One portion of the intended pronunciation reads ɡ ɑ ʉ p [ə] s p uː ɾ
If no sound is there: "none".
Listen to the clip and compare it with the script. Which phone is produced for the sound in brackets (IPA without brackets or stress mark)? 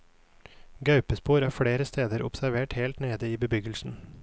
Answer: ə